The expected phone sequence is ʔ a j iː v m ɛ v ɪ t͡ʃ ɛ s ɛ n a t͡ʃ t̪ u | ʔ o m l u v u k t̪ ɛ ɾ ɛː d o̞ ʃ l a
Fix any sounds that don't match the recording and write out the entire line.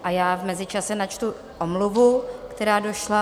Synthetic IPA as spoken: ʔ a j aː v m ɛ z ɪ t͡ʃ a s ɛ n a t͡ʃ t̪ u | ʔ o m l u v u k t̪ ɛ ɾ aː d o̞ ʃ l a